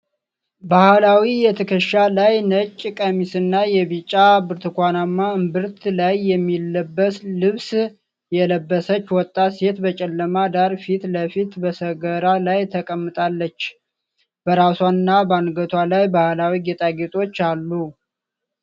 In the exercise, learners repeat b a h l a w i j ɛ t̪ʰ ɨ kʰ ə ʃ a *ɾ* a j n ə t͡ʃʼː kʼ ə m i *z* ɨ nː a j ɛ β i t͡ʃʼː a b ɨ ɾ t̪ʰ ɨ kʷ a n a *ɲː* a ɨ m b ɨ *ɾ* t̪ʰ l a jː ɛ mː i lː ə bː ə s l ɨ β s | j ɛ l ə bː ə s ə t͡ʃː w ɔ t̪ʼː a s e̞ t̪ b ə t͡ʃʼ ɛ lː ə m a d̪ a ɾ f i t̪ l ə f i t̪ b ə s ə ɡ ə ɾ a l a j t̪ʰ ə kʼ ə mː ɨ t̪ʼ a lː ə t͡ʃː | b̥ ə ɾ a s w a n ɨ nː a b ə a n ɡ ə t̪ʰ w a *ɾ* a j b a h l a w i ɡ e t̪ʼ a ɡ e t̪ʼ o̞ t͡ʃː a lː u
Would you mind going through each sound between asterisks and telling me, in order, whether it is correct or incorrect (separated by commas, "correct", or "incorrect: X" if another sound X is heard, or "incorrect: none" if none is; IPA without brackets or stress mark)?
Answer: incorrect: l, incorrect: s, incorrect: mː, correct, incorrect: l